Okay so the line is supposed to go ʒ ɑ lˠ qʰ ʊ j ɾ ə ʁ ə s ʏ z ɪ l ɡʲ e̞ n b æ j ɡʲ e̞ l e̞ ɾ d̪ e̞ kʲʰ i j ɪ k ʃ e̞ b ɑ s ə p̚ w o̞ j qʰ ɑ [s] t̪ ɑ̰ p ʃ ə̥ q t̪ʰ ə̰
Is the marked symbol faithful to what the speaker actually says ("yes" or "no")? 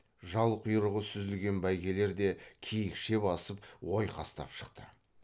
yes